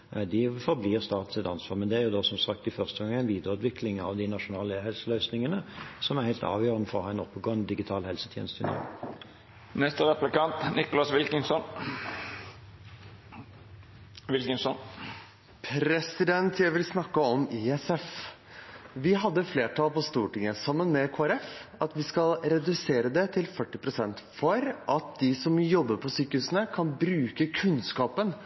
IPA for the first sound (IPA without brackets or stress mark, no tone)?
d̪